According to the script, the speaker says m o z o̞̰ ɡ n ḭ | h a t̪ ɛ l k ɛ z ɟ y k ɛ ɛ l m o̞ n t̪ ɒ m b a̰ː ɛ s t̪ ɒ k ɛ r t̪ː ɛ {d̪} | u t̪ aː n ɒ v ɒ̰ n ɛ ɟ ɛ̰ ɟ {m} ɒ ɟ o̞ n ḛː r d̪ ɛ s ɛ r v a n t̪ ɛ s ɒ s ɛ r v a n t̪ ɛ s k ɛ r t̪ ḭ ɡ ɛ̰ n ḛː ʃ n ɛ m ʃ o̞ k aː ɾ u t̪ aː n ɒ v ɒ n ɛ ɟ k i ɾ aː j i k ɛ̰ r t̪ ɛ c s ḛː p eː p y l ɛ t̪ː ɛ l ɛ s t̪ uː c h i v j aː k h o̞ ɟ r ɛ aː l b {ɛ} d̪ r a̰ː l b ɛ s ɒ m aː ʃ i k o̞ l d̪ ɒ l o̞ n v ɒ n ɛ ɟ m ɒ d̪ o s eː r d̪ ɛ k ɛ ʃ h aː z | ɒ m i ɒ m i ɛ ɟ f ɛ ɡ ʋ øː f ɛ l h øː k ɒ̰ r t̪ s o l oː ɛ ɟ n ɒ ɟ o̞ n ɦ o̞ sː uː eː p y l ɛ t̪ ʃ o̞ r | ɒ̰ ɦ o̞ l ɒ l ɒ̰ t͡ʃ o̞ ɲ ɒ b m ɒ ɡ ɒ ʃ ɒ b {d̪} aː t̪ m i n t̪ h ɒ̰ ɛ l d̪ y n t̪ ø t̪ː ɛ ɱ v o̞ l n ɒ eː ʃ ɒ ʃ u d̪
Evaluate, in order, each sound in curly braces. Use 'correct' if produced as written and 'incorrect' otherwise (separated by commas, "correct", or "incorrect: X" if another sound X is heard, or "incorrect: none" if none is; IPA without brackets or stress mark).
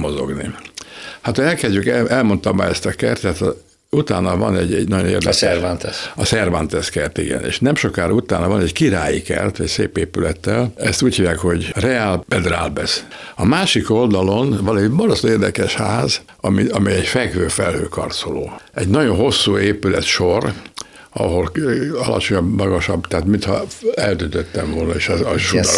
incorrect: t̪, incorrect: n, correct, incorrect: t̪